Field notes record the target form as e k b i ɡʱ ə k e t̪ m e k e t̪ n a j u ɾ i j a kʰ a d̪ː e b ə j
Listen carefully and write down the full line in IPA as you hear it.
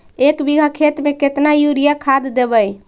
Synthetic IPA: e k b i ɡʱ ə kʰ e t̪ m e k e t̪ n a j u ɾ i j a kʰ a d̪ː e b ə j